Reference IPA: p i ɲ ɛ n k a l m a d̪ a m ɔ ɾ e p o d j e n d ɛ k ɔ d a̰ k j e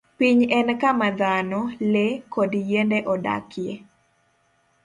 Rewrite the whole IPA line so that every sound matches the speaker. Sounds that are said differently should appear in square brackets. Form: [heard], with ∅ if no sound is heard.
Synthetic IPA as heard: p i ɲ ɛ n k a [∅] m a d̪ a [n] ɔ [l] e [k] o d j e n d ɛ [ʔ] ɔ d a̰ k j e